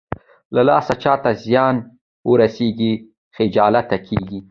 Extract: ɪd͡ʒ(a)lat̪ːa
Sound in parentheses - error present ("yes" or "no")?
yes